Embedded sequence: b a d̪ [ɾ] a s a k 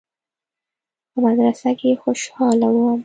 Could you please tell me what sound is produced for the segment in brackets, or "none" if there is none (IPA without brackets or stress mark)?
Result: ɾ